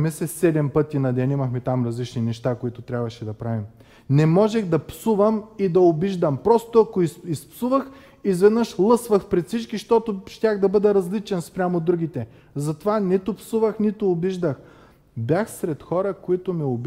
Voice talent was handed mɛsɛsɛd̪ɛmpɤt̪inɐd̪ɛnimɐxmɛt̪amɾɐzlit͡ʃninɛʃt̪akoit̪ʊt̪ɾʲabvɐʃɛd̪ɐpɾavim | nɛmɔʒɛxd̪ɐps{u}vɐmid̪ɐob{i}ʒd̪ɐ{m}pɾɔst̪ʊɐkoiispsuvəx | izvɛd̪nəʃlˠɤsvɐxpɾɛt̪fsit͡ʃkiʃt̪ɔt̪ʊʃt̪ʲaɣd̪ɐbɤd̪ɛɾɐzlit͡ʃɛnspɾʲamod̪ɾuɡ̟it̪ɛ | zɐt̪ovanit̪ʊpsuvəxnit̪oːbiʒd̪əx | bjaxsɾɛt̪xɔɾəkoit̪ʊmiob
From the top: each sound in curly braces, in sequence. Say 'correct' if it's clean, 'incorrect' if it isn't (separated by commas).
correct, correct, correct